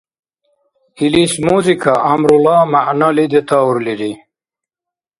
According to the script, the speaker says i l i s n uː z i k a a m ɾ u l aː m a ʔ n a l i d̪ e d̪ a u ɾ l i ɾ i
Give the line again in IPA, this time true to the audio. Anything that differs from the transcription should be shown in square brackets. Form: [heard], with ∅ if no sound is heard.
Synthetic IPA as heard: i l i s [m] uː z i k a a m ɾ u l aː m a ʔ n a l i d̪ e [t̪] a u ɾ l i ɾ i